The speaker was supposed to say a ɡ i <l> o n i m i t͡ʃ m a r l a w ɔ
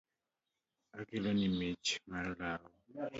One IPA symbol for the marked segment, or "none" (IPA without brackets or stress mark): l